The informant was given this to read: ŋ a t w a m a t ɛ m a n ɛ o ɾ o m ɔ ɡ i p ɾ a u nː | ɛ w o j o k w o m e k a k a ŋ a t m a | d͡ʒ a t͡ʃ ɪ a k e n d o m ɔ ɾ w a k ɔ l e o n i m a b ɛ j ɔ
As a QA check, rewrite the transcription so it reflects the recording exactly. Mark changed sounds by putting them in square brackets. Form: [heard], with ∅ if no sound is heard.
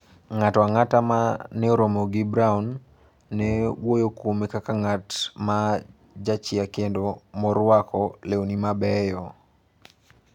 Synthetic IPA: ŋ a t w a [ŋ] a t [a] m a n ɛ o ɾ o m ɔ ɡ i [b] ɾ a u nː | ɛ w o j o k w o m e k a k a ŋ a t m a | d͡ʒ a t͡ʃ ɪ a k e n d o m ɔ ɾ w a k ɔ l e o n i m a b ɛ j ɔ